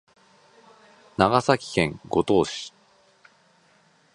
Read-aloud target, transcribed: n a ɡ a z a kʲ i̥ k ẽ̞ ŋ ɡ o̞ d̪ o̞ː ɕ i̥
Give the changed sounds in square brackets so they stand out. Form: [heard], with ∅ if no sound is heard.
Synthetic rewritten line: n a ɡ a [s] a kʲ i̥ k ẽ̞ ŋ ɡ o̞ [t̪] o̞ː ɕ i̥

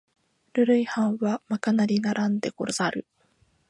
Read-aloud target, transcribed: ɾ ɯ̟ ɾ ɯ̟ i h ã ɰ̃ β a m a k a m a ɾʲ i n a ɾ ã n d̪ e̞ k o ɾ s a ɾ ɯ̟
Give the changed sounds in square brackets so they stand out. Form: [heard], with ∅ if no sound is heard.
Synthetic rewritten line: ɾ ɯ̟ ɾ ɯ̟ i h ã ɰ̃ β a m a k a [n] a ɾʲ i n a ɾ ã n d̪ e̞ k o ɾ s a ɾ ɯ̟

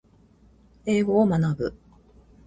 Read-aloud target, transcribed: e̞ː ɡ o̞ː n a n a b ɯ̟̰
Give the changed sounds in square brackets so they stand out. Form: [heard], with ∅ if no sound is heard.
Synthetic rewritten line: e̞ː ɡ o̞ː [m] a n a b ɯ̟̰

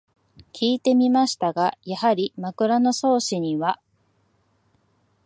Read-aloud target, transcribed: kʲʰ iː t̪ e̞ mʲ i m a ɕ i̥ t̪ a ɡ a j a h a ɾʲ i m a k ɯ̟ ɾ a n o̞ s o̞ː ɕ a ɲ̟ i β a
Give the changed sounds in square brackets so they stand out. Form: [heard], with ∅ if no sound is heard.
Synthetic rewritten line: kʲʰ iː t̪ e̞ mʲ i m a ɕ i̥ t̪ a ɡ a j a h a ɾʲ i m a k ɯ̟ ɾ a n o̞ s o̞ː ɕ [i] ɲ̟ i β a

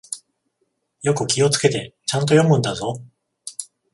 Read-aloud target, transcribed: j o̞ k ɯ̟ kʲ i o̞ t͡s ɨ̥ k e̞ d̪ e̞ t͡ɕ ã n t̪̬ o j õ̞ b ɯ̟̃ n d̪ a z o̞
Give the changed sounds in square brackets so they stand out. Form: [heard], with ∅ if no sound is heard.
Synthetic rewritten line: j o̞ k ɯ̟ kʲ i o̞ t͡s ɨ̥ k e̞ [t̪] e̞ t͡ɕ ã n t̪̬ o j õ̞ [m] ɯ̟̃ n d̪ a z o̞

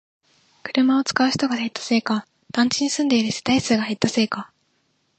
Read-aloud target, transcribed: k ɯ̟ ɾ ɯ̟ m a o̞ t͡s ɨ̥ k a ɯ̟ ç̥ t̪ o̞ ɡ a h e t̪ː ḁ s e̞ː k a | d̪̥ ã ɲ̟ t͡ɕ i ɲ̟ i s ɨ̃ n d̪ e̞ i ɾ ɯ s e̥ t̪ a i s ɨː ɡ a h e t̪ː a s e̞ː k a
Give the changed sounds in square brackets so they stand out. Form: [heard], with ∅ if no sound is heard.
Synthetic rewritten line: k ɯ̟ ɾ ɯ̟ m a o̞ t͡s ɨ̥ k a ɯ̟ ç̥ t̪ o̞ ɡ a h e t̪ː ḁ s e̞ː k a | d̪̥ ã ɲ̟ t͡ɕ i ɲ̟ i s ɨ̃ n d̪ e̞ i ɾ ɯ s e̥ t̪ a i s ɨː ɡ a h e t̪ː a s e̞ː k a

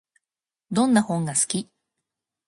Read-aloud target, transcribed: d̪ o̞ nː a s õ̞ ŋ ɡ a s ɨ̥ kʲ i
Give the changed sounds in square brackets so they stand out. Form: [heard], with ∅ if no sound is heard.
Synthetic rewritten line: d̪ [õ̞] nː a [h] õ̞ ŋ ɡ a s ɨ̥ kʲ i

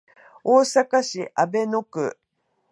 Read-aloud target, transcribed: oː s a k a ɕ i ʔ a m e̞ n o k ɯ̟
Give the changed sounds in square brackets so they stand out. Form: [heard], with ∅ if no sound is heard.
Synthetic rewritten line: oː s a k a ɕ i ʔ a [b] e̞ n o k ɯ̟

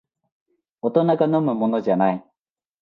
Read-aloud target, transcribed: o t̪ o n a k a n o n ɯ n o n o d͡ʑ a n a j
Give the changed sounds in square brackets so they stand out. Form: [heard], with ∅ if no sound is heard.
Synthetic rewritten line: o t̪ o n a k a n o [m] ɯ [m] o n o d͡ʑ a n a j

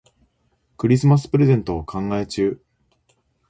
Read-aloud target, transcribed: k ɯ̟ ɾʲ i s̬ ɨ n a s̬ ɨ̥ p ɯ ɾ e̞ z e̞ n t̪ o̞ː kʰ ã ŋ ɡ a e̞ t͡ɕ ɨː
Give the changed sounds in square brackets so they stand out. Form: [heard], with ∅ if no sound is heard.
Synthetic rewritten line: k ɯ̟ ɾʲ i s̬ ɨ [m] a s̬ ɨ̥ p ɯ ɾ e̞ z [ẽ̞] n t̪ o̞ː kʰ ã ŋ ɡ a e̞ t͡ɕ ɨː

